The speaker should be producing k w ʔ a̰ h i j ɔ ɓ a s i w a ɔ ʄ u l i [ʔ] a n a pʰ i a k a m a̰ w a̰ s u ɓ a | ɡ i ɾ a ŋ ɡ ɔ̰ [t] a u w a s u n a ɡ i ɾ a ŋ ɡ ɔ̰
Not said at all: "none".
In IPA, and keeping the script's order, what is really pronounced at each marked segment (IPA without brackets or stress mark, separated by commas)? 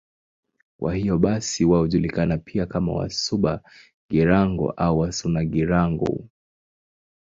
k, ʔ